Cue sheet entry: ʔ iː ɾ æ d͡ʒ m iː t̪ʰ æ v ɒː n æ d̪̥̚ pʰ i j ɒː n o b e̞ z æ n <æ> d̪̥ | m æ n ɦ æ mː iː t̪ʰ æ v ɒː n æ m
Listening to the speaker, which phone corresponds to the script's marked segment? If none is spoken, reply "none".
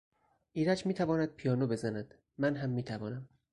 æ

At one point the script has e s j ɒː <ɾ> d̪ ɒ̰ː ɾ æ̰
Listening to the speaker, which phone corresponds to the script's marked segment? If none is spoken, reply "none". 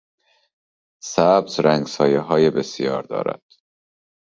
ɾ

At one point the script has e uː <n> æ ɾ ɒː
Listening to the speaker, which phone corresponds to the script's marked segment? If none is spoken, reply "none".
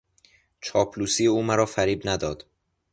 m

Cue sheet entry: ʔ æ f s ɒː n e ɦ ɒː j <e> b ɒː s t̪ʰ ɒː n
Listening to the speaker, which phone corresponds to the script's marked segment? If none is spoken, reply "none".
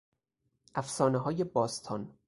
e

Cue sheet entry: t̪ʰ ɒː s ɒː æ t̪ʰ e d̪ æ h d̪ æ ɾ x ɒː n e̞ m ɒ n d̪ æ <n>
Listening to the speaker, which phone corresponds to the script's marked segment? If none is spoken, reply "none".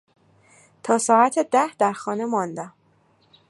m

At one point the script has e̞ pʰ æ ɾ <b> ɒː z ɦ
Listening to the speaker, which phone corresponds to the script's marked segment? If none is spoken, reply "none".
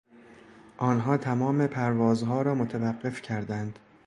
v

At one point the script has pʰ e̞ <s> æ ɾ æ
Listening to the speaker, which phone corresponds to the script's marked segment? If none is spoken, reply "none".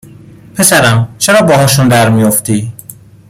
s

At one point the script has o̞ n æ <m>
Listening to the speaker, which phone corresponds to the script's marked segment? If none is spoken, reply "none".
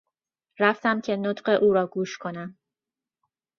m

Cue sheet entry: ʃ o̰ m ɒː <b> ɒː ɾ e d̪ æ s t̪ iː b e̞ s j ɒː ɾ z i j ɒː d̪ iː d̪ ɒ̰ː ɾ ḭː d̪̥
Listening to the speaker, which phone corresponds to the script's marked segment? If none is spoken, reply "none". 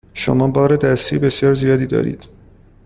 b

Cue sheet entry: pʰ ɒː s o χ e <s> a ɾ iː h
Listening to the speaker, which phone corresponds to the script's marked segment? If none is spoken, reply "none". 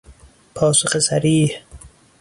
s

